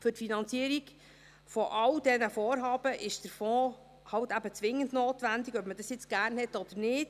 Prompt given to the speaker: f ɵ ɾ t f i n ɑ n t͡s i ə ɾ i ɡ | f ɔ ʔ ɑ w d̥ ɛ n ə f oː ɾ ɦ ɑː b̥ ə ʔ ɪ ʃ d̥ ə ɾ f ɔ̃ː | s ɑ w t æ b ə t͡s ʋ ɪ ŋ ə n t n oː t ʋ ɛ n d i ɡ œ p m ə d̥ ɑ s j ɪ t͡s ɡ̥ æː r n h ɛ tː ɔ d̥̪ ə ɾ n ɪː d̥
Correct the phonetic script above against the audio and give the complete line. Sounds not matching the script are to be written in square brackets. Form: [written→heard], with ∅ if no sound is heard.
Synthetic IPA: f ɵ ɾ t f i n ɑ n t͡s i ə ɾ i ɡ | f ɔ ʔ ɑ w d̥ ɛ n ə f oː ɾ ɦ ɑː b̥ ə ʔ ɪ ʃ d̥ ə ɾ f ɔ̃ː | [s→h] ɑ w t æ b ə t͡s ʋ ɪ ŋ ə n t n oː t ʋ [ɛ→æ] n d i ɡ œ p m ə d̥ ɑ s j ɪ t͡s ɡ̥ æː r n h ɛ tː ɔ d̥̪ ə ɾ n ɪː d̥